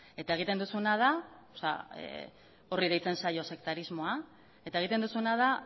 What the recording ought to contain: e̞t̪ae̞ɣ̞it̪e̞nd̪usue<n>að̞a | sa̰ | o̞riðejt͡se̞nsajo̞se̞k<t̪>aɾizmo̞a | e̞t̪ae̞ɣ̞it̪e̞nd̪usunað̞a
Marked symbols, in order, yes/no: yes, yes

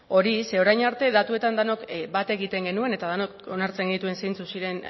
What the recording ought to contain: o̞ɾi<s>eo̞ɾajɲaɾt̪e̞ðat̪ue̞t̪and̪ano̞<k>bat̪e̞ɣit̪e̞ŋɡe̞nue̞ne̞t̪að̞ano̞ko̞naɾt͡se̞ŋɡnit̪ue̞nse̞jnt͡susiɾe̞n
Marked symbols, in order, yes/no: yes, yes

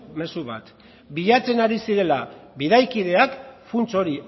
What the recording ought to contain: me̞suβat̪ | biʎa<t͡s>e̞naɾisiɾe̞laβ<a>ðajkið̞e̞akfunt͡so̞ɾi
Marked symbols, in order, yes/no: yes, no

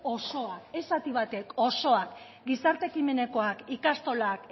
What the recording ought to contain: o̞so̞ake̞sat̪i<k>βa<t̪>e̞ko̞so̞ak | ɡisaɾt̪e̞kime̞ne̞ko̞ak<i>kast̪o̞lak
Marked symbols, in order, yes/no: no, yes, yes

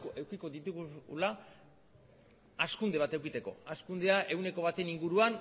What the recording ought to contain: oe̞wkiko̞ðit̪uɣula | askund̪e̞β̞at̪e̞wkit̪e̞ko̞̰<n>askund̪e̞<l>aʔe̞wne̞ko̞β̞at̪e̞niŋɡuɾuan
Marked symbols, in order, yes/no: no, no

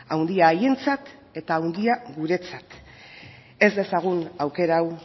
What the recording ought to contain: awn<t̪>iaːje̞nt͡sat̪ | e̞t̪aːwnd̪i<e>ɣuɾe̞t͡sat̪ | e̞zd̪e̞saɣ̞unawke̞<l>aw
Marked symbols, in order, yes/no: no, no, no

